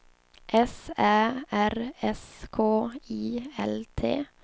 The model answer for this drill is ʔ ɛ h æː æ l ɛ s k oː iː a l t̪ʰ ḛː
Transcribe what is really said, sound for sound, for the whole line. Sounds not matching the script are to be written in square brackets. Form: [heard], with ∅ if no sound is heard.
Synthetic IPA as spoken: ʔ ɛ [s] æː æ [ɾ] ɛ s [kʰ] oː iː [ɛ] l t̪ʰ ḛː